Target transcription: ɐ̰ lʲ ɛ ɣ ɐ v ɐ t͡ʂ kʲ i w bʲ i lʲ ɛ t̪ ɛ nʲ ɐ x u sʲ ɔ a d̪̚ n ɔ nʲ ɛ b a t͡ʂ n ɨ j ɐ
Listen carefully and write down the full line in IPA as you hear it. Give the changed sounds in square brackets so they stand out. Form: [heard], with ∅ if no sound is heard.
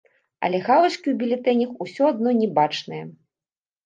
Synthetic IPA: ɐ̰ lʲ ɛ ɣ [a] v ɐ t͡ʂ kʲ i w bʲ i lʲ ɛ t̪ ɛ nʲ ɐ x u sʲ ɔ a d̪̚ n ɔ nʲ ɛ b a t͡ʂ n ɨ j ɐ